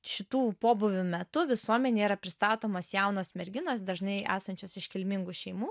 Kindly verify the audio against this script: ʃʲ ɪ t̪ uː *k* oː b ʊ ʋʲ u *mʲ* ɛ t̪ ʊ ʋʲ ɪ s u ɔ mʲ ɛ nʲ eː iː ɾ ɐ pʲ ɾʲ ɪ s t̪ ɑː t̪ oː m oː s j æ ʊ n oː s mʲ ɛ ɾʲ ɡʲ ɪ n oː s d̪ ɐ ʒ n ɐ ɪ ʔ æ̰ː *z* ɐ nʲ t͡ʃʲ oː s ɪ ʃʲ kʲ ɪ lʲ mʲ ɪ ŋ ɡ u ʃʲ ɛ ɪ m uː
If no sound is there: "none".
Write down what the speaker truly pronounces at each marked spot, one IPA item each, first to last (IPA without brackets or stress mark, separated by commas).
p, mʲ, s